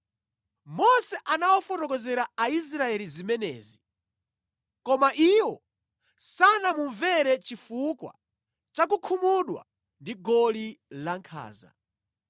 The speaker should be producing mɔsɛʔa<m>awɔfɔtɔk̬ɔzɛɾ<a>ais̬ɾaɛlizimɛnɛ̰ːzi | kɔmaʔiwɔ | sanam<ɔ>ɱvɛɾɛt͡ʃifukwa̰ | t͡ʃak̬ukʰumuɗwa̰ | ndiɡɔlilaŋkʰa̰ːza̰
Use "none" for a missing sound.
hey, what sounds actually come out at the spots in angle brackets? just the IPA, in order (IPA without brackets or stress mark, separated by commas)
n, a, u